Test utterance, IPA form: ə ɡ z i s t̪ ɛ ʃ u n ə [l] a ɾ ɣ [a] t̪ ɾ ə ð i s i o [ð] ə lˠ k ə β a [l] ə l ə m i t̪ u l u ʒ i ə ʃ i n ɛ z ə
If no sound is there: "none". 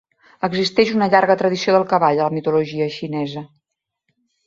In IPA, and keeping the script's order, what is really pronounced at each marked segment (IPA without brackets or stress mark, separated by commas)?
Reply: ʎ, ə, ð, ʎ